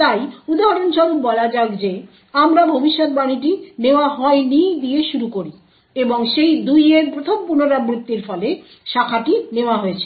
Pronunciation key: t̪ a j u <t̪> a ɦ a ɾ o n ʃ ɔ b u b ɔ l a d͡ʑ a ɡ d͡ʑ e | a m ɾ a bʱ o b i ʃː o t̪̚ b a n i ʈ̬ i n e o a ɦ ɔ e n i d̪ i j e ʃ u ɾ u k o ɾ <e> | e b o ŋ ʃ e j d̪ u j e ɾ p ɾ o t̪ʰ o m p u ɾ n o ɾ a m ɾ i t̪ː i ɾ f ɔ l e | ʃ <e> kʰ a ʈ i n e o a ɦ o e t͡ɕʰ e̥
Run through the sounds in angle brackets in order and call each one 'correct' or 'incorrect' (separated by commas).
incorrect, incorrect, incorrect